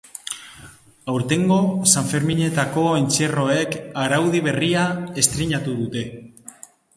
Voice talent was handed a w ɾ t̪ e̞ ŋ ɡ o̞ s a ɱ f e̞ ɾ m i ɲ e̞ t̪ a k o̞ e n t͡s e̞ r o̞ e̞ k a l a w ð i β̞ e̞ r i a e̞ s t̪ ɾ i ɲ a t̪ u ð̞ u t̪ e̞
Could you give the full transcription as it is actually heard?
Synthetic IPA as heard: a w ɾ t̪ e̞ ŋ ɡ o̞ s a ɱ f e̞ ɾ m i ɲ e̞ t̪ a k o̞ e n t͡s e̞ r o̞ e̞ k a ɾ a w ð i β̞ e̞ r i a e̞ s t̪ ɾ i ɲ a t̪ u ð̞ u t̪ e̞